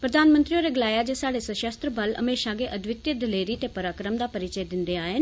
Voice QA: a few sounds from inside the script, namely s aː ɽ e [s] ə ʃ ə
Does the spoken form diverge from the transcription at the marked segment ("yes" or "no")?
no